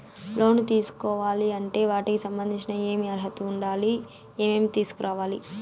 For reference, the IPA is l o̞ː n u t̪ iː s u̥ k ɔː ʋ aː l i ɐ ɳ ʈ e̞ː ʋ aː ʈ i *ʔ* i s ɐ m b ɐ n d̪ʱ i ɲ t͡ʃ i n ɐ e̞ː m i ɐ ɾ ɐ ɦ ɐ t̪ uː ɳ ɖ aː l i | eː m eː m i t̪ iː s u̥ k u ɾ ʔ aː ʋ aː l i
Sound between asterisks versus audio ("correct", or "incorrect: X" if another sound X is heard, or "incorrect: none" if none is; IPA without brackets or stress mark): incorrect: k